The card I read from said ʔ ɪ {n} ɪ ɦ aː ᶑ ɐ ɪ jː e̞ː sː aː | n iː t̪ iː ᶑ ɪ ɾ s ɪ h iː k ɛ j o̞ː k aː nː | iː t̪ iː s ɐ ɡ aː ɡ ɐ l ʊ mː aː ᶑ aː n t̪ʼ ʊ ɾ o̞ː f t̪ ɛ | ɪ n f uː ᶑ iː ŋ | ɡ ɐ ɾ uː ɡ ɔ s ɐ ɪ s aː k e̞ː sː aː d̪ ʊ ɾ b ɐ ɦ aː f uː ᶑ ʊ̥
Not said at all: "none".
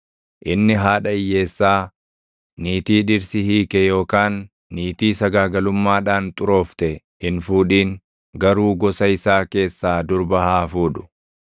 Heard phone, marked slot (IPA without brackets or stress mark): nː